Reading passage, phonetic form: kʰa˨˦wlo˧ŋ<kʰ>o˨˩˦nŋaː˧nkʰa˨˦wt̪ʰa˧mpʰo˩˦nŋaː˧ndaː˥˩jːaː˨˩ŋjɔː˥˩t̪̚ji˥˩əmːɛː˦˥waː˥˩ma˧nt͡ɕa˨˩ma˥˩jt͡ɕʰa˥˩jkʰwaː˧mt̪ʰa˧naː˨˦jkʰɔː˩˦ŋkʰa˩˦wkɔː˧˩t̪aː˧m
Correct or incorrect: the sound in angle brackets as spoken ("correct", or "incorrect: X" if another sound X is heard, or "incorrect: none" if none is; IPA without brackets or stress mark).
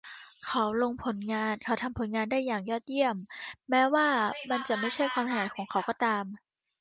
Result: incorrect: pʰ